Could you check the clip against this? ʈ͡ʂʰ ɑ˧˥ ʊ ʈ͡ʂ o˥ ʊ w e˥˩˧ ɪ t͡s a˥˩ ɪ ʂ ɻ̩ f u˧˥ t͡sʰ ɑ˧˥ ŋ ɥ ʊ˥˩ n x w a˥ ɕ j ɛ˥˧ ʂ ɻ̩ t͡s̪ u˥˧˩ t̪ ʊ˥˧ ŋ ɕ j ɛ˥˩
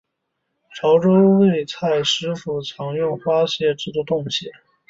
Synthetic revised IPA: ʈ͡ʂʰ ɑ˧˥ ʊ ʈ͡ʂ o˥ ʊ w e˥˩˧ ɪ t͡sʰ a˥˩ ɪ ʂ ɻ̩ f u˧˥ t͡sʰ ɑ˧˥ ŋ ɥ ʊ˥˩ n x w a˥ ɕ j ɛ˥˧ ʈ͡ʂ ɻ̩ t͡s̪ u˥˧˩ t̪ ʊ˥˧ ŋ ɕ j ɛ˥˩